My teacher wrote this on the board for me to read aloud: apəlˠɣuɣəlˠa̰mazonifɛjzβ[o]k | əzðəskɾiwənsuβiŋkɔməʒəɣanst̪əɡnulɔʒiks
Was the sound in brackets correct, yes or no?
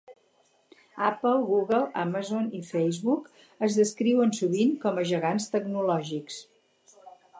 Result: no